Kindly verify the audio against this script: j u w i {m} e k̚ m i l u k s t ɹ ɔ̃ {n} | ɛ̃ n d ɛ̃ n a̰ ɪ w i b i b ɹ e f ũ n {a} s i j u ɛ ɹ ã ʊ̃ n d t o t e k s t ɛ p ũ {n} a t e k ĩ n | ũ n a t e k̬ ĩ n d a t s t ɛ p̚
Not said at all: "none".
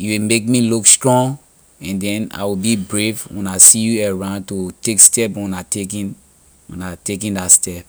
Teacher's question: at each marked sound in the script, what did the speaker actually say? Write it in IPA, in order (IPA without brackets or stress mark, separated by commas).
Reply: m, ŋ, a, n